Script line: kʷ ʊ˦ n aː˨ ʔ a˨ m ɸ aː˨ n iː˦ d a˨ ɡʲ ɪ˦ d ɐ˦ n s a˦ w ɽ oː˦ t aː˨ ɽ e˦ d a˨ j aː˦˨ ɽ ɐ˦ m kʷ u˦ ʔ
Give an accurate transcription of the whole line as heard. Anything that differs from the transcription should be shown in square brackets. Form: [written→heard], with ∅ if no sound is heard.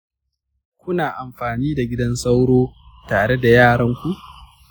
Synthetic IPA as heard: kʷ ʊ˦ n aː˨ ʔ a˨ m ɸ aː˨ n iː˦ d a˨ ɡʲ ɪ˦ d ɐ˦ n s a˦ w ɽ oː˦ t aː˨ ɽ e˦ d a˨ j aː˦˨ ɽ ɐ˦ [m→ŋ] kʷ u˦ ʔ